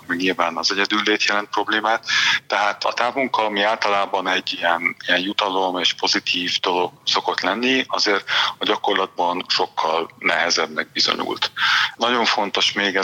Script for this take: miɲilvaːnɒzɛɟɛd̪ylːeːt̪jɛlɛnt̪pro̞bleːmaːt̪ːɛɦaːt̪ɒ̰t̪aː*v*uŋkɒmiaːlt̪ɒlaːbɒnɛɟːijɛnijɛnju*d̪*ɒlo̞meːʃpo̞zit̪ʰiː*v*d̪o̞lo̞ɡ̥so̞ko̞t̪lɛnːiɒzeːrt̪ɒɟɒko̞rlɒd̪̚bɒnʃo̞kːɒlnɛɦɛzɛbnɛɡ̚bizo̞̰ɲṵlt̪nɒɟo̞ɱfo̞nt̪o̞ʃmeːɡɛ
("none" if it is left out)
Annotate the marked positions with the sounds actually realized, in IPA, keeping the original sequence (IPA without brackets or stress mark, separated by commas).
v, t̪, v